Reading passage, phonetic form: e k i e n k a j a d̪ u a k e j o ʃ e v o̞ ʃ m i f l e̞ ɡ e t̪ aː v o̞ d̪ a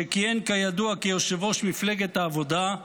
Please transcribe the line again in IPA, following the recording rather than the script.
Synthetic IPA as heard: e k i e n k a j a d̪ u a k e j o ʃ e v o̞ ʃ m i f l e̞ ɡ e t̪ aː v o̞ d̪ a